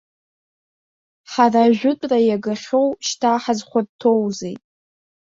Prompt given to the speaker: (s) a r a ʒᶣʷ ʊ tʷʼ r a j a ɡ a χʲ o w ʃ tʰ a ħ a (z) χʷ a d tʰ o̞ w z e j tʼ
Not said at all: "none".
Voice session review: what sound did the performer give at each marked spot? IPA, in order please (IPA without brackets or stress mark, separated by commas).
ħ, z